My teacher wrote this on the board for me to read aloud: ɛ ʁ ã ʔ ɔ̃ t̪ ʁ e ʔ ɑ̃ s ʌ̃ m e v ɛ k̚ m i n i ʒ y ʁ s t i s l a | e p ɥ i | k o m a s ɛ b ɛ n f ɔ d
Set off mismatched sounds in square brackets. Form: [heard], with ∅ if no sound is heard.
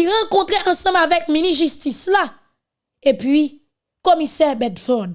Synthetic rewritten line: [i] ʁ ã [k] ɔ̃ t̪ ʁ e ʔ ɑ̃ s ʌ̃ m [a] v ɛ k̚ m i n i ʒ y [∅] s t i s l a | e p ɥ i | k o m [i] s ɛ b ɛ [d] f ɔ d